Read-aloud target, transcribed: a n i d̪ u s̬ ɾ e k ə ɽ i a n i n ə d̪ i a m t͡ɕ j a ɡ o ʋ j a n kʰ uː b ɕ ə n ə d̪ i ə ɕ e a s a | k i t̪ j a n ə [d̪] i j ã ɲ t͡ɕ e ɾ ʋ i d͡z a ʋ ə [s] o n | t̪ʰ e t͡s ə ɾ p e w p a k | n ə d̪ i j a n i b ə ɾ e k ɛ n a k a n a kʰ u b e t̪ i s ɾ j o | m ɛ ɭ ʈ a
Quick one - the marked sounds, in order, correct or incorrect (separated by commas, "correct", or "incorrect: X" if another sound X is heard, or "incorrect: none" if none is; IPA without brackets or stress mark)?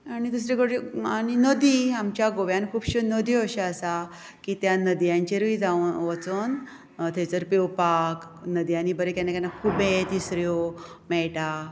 correct, incorrect: t͡s